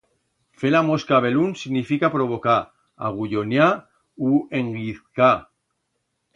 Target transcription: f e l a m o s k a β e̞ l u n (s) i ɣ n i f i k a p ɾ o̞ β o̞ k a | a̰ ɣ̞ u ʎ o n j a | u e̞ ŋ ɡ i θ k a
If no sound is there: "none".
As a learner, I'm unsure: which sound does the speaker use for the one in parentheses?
s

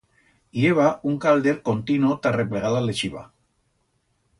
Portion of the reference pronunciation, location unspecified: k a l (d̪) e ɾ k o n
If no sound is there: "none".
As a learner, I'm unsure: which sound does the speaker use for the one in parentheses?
d̪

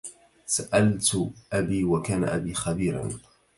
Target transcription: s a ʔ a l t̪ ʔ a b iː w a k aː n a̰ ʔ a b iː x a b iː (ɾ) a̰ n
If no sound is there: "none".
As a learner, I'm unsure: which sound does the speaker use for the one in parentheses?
ɾ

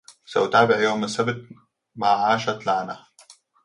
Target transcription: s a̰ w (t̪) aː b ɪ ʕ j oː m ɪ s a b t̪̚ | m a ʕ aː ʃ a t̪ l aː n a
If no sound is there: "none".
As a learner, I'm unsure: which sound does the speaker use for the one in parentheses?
t̪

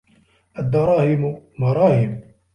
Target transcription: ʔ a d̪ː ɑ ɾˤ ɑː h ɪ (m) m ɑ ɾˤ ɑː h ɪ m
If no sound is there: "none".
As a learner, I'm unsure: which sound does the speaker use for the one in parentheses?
m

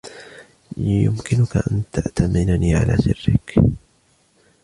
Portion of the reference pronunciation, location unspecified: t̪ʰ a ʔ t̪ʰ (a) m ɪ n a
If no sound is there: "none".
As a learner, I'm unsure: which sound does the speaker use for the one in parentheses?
a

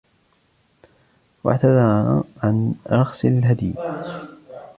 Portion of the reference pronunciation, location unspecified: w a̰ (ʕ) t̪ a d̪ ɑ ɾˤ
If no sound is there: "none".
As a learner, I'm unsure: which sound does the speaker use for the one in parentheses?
ʕ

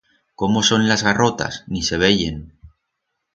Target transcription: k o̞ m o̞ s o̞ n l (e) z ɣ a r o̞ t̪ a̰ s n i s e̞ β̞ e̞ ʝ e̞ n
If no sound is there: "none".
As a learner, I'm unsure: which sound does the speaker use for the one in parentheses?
a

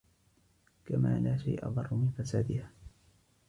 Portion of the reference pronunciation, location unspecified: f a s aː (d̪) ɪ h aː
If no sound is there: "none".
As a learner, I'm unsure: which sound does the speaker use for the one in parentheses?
d̪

